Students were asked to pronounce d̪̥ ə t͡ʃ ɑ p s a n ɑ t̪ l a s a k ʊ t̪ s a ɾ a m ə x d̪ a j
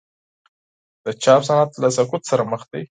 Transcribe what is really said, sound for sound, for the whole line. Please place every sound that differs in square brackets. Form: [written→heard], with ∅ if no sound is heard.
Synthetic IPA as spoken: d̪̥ ə t͡ʃ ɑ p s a n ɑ t̪ l a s a k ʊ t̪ s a ɾ a m ə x d̪ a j